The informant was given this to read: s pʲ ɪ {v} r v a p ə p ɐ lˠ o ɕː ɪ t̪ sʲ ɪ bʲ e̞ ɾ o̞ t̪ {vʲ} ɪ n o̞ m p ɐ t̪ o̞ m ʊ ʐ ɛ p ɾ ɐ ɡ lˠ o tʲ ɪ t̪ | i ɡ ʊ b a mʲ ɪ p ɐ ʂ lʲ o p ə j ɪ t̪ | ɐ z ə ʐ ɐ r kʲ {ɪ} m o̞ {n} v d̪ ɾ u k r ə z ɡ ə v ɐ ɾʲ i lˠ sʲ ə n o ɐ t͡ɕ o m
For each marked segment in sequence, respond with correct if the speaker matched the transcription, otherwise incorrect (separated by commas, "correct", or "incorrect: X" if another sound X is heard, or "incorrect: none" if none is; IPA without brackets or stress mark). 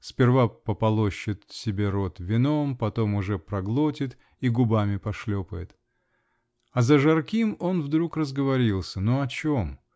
incorrect: none, correct, incorrect: i, correct